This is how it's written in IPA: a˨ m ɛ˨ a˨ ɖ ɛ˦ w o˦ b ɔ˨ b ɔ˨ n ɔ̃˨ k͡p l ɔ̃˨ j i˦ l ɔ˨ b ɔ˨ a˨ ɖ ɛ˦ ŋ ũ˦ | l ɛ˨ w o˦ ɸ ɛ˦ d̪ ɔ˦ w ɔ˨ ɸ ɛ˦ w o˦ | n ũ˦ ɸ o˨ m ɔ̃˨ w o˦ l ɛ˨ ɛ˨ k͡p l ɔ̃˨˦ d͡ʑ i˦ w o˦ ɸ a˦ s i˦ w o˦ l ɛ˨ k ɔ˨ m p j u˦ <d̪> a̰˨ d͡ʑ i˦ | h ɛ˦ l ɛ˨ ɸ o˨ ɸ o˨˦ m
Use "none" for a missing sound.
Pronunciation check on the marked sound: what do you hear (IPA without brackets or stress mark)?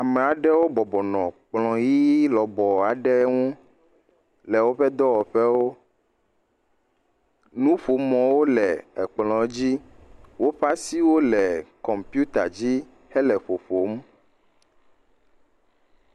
t̪